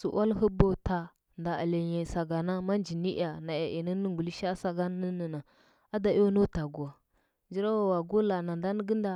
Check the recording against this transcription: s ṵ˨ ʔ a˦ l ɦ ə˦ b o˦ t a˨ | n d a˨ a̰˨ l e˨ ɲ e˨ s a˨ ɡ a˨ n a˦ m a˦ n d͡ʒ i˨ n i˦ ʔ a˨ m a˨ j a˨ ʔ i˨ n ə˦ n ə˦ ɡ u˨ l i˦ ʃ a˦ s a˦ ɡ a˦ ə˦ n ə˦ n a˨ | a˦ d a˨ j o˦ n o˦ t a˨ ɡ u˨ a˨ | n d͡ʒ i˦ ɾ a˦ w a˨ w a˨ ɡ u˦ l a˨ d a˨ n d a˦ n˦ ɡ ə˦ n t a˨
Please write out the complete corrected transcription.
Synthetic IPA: s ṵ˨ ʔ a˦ l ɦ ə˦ b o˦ t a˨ | n d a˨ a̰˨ l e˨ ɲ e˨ s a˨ ɡ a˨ n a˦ m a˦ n d͡ʒ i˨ n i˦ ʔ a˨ n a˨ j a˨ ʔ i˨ n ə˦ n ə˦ ɡ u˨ l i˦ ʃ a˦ s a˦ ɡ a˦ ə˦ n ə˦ n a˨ | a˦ d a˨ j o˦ n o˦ t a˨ ɡ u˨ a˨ | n d͡ʒ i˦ ɾ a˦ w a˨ w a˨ ɡ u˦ l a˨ n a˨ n d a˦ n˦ ɡ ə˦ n d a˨